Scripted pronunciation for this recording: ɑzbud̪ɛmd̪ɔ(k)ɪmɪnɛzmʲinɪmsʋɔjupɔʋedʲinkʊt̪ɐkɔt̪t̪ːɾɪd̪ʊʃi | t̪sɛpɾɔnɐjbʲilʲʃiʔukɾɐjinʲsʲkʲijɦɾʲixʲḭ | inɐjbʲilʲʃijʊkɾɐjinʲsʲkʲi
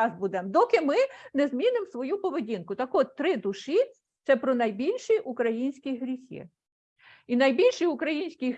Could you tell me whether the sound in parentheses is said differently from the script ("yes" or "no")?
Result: no